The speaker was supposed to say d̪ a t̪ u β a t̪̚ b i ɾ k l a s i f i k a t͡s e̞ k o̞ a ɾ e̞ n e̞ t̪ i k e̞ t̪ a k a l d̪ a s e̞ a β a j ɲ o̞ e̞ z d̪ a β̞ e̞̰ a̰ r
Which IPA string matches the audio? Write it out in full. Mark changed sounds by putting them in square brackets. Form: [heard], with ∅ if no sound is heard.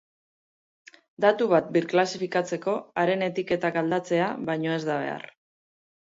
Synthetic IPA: d̪ a t̪ u β a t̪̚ b i ɾ k l a s i f i k a t͡s e̞ k o̞ a ɾ e̞ n e̞ t̪ i k e̞ t̪ a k a l d̪ a [t͡s] e̞ a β a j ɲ o̞ e̞ z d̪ a β̞ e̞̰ a̰ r